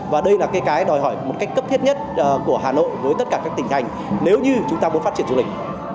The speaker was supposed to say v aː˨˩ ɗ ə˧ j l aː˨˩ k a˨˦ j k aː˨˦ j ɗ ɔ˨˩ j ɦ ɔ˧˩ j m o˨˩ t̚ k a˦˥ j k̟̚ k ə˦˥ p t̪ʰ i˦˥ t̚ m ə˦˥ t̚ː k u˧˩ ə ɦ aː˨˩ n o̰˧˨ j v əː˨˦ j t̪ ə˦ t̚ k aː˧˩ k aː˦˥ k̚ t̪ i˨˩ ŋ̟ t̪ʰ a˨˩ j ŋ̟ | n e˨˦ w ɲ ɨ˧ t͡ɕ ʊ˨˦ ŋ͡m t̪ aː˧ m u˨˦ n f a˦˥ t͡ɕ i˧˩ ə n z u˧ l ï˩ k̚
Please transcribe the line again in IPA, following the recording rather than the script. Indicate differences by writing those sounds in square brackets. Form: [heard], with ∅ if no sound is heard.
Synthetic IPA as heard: v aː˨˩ ɗ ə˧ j l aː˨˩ k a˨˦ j k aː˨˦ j ɗ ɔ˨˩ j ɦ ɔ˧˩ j m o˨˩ t̚ k a˦˥ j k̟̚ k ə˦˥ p t̪ʰ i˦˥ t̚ [ɲ] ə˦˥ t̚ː k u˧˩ ə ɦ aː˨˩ n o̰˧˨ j v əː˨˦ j t̪ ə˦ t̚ k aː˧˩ k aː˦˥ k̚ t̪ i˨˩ ŋ̟ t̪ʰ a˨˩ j ŋ̟ | n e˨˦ w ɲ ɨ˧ t͡ɕ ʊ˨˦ ŋ͡m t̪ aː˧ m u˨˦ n f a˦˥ t͡ɕ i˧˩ ə n z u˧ l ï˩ k̚

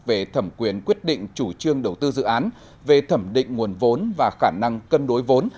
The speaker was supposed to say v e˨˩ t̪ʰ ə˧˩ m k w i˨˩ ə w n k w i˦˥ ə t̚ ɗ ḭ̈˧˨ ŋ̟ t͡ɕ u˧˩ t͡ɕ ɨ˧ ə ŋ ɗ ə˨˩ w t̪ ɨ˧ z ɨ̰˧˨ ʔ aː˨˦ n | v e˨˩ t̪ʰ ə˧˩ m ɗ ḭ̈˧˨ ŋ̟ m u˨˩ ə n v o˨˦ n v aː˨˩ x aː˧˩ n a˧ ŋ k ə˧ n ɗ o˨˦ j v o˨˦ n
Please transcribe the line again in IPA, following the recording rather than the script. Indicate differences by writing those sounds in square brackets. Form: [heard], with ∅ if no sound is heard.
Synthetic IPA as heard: v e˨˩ t̪ʰ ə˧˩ m k w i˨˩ ə [∅] n k w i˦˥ ə t̚ ɗ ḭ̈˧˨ ŋ̟ t͡ɕ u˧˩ t͡ɕ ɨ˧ ə ŋ ɗ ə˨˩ w t̪ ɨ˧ z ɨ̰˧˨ ʔ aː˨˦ n | v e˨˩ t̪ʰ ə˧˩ m ɗ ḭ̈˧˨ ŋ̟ [ŋ] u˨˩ ə n v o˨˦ n v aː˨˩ x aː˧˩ n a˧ ŋ k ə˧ n ɗ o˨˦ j v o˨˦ n

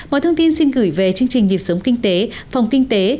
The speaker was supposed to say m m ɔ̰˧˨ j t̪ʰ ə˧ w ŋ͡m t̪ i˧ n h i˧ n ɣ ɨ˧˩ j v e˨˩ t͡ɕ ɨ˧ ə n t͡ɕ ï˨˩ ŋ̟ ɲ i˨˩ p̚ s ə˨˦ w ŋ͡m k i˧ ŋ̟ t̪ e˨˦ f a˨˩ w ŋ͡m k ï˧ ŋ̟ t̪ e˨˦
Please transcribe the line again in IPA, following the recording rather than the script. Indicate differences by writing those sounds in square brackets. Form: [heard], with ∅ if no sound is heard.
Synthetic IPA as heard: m m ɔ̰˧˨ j t̪ʰ ə˧ w ŋ͡m t̪ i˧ n [s] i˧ n ɣ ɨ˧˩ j v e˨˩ t͡ɕ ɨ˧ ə [ŋ] t͡ɕ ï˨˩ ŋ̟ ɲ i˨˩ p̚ s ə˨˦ w ŋ͡m k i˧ ŋ̟ t̪ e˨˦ f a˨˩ w ŋ͡m k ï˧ ŋ̟ t̪ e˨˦

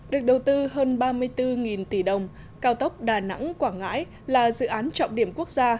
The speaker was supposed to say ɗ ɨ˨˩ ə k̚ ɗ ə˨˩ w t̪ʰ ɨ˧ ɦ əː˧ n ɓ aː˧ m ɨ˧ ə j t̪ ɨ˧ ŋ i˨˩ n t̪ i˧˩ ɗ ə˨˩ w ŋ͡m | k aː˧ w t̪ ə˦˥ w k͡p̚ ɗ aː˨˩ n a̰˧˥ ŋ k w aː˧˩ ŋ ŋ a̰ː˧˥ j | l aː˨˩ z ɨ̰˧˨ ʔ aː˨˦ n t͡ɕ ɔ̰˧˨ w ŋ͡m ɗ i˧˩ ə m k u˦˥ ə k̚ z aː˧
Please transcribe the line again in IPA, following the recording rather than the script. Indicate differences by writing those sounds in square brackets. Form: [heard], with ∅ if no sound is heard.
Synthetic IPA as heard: ɗ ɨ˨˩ ə k̚ ɗ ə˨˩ w [t̪] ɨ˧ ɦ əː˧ n ɓ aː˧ m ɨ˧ ə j t̪ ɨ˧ ŋ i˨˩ n t̪ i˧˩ ɗ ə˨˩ w ŋ͡m | k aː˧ w t̪ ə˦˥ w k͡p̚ ɗ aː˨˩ n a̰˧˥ ŋ k w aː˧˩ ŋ ŋ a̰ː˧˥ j | l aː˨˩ z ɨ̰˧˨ ʔ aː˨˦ n t͡ɕ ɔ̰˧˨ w ŋ͡m ɗ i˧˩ ə m k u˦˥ ə k̚ z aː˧

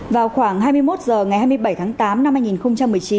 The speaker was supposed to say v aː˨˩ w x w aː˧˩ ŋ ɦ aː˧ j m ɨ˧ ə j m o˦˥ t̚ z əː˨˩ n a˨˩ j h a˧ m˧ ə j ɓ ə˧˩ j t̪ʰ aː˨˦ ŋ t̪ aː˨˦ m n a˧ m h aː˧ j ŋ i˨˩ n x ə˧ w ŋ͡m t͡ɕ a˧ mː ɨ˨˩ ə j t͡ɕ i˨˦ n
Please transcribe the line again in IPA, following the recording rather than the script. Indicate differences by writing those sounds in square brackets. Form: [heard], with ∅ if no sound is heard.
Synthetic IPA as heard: v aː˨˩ w x w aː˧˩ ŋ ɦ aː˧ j m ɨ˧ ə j m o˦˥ t̚ z əː˨˩ [ŋ] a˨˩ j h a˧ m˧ ə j ɓ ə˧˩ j t̪ʰ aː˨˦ ŋ t̪ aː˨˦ m n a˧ m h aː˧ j ŋ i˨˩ n x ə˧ w ŋ͡m t͡ɕ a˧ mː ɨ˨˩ ə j t͡ɕ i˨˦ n

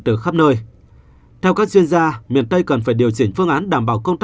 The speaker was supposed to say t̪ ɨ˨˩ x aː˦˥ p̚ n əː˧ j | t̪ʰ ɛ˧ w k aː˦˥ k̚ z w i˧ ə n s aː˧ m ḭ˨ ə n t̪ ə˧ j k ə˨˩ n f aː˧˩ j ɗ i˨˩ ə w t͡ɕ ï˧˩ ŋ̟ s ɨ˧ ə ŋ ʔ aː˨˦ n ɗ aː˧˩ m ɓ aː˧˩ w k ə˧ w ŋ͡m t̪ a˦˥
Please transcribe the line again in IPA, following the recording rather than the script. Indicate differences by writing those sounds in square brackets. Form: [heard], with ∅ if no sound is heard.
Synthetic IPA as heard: t̪ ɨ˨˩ x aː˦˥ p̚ n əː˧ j | t̪ʰ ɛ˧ w k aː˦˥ k̚ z w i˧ ə n [z] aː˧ m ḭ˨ ə n t̪ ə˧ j k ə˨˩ n f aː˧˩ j ɗ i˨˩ ə w t͡ɕ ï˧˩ ŋ̟ [f] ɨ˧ ə ŋ ʔ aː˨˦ n ɗ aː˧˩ m ɓ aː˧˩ w k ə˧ w ŋ͡m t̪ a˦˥

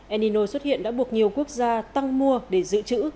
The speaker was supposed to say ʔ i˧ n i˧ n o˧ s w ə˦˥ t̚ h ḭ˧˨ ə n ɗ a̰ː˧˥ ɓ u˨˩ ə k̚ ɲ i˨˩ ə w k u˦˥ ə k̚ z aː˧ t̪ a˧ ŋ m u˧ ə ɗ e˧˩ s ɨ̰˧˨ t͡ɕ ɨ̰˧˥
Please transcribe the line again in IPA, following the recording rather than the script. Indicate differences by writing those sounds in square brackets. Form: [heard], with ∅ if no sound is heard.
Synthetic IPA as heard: ʔ [ɛ˧] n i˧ n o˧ s w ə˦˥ t̚ h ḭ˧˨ ə n ɗ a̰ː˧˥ ɓ u˨˩ ə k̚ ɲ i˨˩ ə w k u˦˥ ə k̚ z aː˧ t̪ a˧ ŋ m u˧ ə ɗ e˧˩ [z] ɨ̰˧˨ t͡ɕ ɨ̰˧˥

